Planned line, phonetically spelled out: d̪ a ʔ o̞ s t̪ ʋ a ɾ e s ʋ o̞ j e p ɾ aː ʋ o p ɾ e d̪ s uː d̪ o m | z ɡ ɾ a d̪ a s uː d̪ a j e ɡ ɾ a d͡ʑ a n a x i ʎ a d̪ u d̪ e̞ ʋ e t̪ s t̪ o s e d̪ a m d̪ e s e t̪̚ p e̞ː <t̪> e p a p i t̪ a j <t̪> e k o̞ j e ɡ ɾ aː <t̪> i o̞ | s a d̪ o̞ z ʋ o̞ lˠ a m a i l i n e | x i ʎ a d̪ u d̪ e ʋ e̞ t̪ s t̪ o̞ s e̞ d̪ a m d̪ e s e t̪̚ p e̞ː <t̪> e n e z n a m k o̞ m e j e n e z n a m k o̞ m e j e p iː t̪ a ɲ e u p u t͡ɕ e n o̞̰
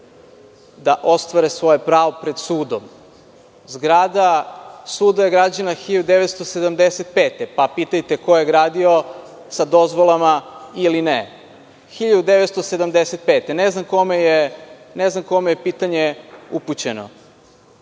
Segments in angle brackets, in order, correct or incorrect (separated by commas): correct, correct, incorrect, correct